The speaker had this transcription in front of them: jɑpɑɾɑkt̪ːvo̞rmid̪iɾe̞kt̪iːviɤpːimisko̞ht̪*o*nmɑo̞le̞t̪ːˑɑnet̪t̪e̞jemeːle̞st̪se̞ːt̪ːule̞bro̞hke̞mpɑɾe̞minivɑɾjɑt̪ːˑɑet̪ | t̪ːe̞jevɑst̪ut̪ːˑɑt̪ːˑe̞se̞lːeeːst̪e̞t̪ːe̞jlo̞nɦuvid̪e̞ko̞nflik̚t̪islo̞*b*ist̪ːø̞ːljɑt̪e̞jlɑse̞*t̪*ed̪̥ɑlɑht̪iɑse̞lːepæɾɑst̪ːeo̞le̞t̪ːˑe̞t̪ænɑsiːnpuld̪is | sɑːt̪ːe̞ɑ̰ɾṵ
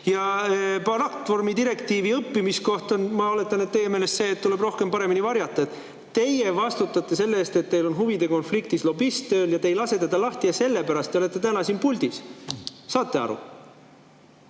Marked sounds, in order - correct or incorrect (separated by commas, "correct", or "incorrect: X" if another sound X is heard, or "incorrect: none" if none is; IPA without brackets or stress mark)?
correct, correct, correct